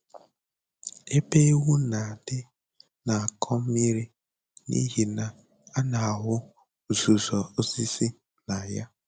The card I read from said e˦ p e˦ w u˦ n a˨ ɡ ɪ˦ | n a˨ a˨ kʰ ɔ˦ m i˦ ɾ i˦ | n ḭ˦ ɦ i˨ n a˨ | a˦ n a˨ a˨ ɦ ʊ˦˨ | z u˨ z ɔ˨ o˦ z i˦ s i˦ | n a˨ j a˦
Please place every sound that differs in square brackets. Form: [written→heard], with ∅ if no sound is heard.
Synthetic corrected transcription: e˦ p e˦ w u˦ n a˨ [ɡ→d] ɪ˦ | n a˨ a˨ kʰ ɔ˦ m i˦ ɾ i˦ | n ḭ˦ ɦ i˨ n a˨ | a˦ n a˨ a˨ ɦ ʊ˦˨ | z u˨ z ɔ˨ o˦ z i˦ s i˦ | n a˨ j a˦